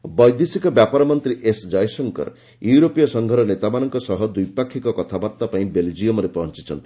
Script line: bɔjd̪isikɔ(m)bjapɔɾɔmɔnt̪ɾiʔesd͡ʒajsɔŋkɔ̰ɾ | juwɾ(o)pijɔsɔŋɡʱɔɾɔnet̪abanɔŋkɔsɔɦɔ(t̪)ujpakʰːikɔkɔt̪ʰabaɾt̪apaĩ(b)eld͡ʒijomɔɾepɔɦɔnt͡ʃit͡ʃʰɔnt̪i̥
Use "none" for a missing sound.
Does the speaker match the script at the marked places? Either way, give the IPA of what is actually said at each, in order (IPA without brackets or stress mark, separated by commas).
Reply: none, o, d̪, b